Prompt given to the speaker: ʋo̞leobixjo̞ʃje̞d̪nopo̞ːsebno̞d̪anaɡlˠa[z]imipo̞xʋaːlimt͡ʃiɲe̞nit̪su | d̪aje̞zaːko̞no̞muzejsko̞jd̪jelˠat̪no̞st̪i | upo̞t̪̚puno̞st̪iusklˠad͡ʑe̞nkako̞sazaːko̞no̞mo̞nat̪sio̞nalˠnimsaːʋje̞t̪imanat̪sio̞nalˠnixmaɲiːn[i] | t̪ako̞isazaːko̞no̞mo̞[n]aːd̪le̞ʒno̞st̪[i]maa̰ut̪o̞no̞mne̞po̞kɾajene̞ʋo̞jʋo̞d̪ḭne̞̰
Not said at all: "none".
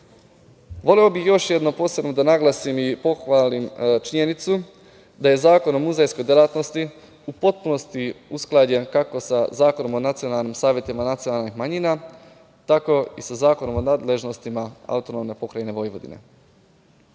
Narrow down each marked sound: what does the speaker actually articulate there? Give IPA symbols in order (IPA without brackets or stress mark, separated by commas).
s, a, n, i